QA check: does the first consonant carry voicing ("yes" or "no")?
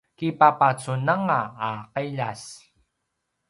no